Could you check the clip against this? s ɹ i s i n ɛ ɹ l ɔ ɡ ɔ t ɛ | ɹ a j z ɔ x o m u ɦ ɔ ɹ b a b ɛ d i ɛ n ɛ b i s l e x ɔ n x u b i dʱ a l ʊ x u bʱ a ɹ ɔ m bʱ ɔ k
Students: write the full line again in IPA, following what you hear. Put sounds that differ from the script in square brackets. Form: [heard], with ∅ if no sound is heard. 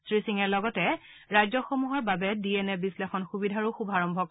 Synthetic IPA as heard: s ɹ i s i [ŋ] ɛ ɹ l ɔ ɡ ɔ t ɛ | ɹ a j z ɔ x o m u ɦ ɔ ɹ b a b ɛ d i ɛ n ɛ b i s l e x ɔ n x u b i dʱ a [ɹ] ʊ x u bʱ a ɹ ɔ m bʱ ɔ k